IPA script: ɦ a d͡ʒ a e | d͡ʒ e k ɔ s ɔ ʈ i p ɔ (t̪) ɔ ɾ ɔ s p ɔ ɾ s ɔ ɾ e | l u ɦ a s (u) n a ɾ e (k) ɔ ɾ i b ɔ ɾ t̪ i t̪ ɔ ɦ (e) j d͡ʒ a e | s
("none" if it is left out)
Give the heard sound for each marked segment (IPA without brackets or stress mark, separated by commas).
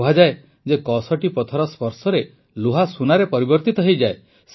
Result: t̪ʰ, u, p, e